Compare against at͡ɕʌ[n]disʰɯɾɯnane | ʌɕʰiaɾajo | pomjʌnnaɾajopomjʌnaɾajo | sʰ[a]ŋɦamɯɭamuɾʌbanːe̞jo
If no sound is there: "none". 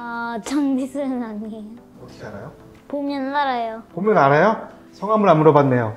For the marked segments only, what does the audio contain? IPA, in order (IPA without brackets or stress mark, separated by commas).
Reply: ŋ, ʌ